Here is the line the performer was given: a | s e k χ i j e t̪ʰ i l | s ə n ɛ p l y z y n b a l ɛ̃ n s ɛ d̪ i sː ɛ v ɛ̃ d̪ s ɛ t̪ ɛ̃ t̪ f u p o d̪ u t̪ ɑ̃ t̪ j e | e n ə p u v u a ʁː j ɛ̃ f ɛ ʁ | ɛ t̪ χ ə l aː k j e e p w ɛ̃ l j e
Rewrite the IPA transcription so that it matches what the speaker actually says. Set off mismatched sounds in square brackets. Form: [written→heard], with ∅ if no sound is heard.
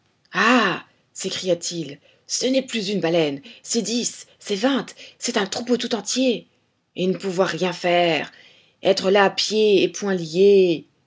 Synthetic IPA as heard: a | s e k χ i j [e→a] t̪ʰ i l | s ə n ɛ p l y z y n b a l [ɛ̃→ɛ] n s ɛ d̪ i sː ɛ v ɛ̃ [d̪→t̪] s ɛ t̪ ɛ̃ t̪ [f→χ] u p o [d̪→t̪] u t̪ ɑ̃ t̪ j e | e n ə p u v [u→w] a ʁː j ɛ̃ f ɛ ʁ | ɛ t̪ χ ə l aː [k→p] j e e p w ɛ̃ l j e

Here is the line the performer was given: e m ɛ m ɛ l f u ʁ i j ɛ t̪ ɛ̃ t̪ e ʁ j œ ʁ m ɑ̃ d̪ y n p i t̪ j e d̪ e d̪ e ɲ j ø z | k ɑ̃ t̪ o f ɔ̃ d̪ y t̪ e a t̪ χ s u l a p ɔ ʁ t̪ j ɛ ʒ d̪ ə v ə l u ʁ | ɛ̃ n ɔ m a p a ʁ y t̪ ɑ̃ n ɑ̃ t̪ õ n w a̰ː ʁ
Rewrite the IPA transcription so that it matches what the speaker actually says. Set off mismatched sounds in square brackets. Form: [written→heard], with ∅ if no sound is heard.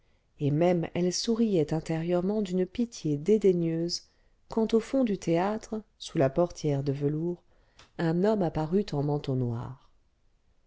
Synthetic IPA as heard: e m ɛ m ɛ l [f→s] u ʁ i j ɛ t̪ ɛ̃ t̪ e ʁ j œ ʁ m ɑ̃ d̪ y n p i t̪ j e d̪ e d̪ e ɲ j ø z | k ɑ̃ t̪ o f ɔ̃ d̪ y t̪ e a t̪ χ s u l a p ɔ ʁ t̪ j ɛ [ʒ→ʁ] d̪ ə v ə l u ʁ | ɛ̃ n ɔ m a p a ʁ y t̪ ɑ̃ [n→m] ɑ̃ t̪ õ n w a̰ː ʁ

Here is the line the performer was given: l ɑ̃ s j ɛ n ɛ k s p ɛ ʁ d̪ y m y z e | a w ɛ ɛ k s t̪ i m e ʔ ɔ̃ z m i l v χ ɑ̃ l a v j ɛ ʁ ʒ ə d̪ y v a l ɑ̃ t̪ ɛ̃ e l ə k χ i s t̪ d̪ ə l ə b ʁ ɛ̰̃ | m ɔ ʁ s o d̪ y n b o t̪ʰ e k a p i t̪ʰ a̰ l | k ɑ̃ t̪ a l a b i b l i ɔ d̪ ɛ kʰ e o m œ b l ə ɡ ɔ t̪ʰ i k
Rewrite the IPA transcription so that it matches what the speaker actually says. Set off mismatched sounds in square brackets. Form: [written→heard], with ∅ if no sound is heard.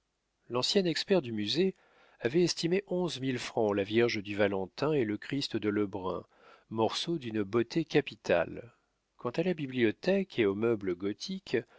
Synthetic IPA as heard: l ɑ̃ s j ɛ n ɛ k s p ɛ ʁ d̪ y m y z e | a [w→v] ɛ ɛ [k→∅] s t̪ i m e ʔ ɔ̃ z m i l [v→f] χ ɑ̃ l a v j ɛ ʁ ʒ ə d̪ y v a l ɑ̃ t̪ ɛ̃ e l ə k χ i s t̪ d̪ ə l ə b ʁ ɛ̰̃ | m ɔ ʁ s o d̪ y n b o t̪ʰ e k a p i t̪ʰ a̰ l | k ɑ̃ t̪ a l a b i b l i ɔ [d̪→t̪] ɛ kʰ e o m œ b l ə ɡ ɔ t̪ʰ i k

